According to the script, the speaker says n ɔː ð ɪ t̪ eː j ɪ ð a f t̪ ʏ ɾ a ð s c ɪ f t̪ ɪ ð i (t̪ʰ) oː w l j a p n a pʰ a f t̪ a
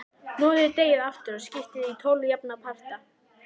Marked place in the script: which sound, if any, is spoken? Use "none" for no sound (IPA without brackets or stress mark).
t̪ʰ